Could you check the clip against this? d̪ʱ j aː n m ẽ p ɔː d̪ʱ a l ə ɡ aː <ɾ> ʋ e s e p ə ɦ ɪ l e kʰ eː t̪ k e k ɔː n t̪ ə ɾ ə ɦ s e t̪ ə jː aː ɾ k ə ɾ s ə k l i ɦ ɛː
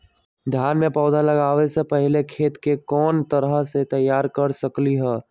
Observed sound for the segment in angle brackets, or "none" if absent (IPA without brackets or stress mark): none